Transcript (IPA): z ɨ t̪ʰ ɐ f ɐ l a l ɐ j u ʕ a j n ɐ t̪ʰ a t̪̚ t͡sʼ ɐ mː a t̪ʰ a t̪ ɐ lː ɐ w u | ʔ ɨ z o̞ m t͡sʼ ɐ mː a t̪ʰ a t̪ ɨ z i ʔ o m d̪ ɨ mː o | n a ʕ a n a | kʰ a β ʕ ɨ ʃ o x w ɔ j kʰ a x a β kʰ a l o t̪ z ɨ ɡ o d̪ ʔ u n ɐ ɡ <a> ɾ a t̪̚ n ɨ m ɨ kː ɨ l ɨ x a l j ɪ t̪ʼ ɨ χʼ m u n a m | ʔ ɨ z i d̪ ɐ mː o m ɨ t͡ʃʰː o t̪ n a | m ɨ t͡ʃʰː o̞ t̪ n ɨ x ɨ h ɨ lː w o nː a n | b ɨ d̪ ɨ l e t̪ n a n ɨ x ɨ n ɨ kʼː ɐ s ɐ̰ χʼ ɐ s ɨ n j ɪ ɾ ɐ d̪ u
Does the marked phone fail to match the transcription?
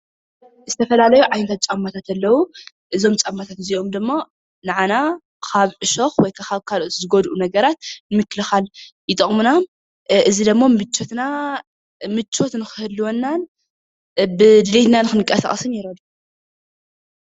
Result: yes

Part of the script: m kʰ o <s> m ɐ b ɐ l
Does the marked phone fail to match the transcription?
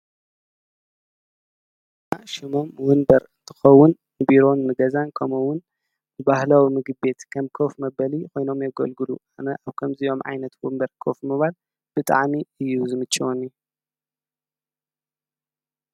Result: yes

